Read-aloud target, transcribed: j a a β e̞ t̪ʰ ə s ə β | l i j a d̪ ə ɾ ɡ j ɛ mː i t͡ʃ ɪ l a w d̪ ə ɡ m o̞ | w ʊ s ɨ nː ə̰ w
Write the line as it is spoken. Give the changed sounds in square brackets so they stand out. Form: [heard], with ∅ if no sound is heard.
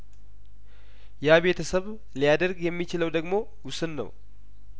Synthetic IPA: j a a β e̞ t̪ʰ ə s ə β | l i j a d̪ ə ɾ ɡ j ɛ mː i t͡ʃ ɪ l [ə] w d̪ ə ɡ m o̞ | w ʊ s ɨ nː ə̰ w